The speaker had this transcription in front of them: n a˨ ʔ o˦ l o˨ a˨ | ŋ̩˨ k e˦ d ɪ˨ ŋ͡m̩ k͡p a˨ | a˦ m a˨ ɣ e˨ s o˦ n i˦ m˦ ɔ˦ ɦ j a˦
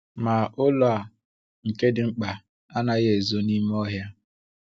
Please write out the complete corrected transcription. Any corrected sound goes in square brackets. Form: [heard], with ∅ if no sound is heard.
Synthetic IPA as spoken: [m] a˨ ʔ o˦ l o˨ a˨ | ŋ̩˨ k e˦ d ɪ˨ ŋ͡m̩ k͡p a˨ | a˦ [n] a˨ ɣ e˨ [z] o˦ n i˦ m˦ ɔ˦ ɦ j a˦